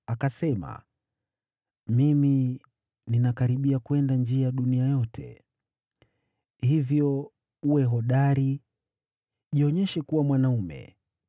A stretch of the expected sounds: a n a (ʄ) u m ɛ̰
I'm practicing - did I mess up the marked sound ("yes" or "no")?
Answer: yes